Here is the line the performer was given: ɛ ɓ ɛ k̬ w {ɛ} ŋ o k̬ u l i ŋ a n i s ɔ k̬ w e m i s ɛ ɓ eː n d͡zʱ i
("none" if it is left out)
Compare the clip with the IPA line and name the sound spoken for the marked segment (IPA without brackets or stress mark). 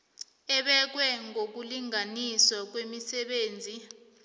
ɛ